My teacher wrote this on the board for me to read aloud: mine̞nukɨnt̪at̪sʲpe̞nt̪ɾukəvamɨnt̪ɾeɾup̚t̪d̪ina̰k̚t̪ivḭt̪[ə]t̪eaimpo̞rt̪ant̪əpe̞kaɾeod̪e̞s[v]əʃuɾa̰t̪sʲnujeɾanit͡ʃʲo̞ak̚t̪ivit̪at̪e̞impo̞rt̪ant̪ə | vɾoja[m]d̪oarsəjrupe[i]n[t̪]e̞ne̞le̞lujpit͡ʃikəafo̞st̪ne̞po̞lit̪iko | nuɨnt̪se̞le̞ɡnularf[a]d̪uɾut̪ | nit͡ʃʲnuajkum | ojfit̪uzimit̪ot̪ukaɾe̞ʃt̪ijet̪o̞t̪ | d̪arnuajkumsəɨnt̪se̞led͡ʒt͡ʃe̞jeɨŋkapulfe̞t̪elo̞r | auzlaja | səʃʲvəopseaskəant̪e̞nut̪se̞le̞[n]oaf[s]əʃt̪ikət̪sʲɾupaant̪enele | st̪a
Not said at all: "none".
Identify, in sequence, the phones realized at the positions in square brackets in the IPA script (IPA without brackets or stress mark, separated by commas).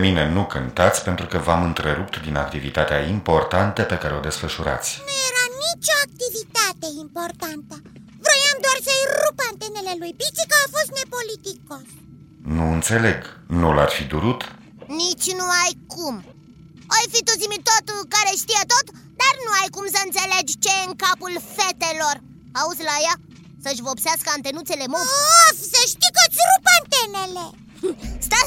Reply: a, f, m, a, t̪, i, m, s